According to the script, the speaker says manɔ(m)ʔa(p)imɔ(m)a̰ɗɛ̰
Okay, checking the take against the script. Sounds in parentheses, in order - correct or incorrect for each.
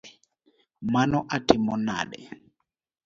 incorrect: none, incorrect: t, incorrect: n

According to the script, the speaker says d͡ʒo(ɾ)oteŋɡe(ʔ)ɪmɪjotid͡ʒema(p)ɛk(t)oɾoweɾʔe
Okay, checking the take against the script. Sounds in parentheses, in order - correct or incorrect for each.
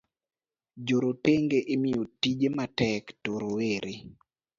correct, correct, incorrect: t, correct

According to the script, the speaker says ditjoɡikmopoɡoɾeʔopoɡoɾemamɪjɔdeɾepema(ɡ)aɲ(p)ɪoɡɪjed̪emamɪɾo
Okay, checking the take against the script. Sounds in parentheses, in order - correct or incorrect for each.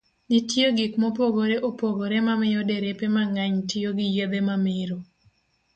incorrect: ŋ, incorrect: t

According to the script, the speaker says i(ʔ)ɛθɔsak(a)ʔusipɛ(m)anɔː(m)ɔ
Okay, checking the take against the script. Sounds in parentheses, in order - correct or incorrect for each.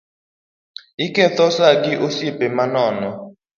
incorrect: k, incorrect: i, correct, incorrect: n

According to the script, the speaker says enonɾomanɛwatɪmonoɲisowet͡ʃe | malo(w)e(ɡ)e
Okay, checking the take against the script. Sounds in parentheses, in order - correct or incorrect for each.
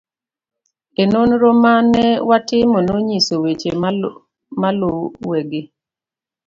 correct, correct

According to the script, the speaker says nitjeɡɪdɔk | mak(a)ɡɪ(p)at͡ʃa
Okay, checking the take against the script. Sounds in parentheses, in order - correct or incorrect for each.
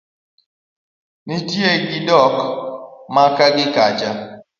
correct, incorrect: k

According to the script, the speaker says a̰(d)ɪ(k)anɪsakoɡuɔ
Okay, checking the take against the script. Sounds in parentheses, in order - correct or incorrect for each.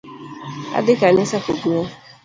correct, correct

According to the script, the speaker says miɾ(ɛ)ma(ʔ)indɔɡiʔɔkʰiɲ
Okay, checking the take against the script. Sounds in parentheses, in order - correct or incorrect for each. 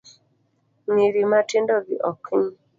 incorrect: i, incorrect: t

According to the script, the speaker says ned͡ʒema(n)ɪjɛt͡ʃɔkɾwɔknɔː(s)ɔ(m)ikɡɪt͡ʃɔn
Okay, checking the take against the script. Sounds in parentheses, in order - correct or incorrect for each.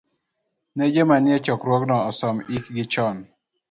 correct, correct, correct

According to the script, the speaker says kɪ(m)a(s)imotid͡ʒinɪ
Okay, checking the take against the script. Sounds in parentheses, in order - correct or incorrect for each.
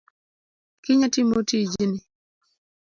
incorrect: ɲ, incorrect: t

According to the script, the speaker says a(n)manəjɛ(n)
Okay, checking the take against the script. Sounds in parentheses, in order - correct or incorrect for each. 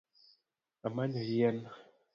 incorrect: none, correct

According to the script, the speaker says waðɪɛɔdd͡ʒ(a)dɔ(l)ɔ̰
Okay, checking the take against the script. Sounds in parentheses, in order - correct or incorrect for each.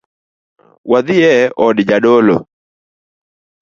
correct, correct

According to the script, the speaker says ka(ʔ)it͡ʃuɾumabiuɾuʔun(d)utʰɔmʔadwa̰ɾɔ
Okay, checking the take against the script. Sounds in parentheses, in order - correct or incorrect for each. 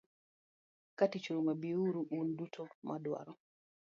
incorrect: t, correct

